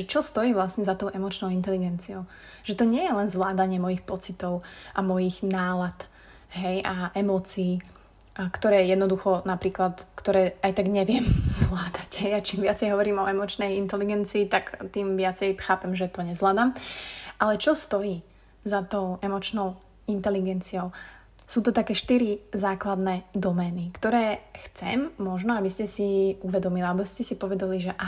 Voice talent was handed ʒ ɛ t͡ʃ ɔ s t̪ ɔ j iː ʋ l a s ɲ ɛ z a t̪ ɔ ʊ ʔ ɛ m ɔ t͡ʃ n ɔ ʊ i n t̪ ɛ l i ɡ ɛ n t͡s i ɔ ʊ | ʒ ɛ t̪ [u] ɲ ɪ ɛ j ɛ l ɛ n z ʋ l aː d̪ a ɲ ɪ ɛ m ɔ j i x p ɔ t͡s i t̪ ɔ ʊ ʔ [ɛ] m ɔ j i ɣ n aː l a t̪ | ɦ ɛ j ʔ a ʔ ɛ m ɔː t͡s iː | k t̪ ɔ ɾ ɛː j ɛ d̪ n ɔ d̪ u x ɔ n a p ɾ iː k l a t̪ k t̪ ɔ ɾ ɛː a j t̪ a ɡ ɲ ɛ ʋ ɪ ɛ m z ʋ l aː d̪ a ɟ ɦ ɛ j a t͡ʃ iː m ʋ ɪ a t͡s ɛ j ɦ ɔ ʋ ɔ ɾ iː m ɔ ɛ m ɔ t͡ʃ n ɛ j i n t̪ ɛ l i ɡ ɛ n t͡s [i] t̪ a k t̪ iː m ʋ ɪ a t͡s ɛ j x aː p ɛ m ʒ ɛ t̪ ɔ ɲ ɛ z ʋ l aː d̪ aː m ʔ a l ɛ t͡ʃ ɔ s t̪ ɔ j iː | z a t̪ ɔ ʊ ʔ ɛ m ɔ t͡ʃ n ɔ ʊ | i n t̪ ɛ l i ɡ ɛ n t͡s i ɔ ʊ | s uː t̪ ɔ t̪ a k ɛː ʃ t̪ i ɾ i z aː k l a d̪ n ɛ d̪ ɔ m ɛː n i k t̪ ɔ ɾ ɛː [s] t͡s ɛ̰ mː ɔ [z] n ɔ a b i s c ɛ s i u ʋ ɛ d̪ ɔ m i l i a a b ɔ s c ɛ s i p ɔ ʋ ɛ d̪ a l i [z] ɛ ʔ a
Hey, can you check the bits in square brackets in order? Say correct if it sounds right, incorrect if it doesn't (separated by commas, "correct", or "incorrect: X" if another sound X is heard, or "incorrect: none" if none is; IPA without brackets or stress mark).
incorrect: ɔ, incorrect: a, incorrect: iː, incorrect: x, incorrect: ʒ, incorrect: ʒ